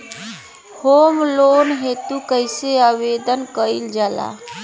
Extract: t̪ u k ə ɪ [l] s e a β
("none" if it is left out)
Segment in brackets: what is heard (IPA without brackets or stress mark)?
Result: none